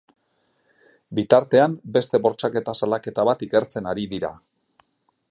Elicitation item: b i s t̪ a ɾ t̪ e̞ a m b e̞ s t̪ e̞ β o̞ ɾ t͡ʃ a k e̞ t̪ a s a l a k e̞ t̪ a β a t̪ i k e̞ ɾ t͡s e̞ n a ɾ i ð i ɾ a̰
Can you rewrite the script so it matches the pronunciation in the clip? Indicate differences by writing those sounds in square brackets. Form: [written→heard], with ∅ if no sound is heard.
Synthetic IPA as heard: b i [s→∅] t̪ a ɾ t̪ e̞ a m b e̞ s t̪ e̞ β o̞ ɾ t͡ʃ a k e̞ t̪ a s a l a k e̞ t̪ a β a t̪ i k e̞ ɾ t͡s e̞ n a ɾ i ð i ɾ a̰